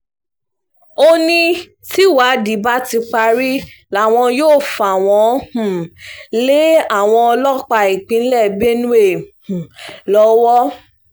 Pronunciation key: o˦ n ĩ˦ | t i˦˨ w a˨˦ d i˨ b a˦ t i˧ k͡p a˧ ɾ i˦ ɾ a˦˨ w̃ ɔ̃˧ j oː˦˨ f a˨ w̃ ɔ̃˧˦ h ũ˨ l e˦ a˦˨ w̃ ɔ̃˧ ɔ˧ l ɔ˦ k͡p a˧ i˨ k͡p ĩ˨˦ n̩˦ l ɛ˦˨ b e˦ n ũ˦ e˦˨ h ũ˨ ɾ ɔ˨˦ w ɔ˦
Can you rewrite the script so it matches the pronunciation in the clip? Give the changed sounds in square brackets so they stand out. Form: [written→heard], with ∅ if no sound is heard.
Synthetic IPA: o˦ n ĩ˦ | t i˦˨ w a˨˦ d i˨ b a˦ t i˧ k͡p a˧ ɾ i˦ [ɾ→l] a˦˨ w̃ ɔ̃˧ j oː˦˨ f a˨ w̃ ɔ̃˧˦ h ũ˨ l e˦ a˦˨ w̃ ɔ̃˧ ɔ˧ l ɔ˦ k͡p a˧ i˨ k͡p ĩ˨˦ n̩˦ l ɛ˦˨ b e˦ n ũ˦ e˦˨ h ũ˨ [ɾ→l] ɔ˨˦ w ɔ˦